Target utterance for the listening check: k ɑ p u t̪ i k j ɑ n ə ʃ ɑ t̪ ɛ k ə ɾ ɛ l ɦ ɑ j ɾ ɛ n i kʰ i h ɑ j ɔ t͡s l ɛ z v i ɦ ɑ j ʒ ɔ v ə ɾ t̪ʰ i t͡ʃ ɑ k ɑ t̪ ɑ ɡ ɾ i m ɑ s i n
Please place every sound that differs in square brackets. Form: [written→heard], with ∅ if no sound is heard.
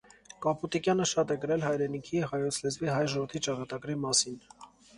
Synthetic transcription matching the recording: k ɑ p u t̪ i k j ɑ n ə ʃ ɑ t̪ ɛ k ə ɾ ɛ l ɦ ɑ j ɾ ɛ n i kʰ i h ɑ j ɔ [t͡s→t͡sʰ] l ɛ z v i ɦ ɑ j ʒ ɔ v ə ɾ t̪ʰ i t͡ʃ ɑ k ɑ t̪ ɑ ɡ ɾ i m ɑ s i n